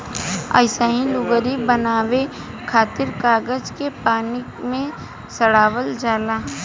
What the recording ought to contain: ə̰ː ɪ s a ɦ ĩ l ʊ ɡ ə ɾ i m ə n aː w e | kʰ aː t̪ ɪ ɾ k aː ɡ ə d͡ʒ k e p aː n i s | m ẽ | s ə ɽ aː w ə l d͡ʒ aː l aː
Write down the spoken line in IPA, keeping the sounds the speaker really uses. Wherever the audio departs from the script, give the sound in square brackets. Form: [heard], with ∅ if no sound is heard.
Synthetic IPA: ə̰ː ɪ s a ɦ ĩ l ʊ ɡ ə ɾ i [b] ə n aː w e | kʰ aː t̪ ɪ ɾ k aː ɡ ə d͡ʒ k e p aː n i [∅] | m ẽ | s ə ɽ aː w ə l d͡ʒ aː l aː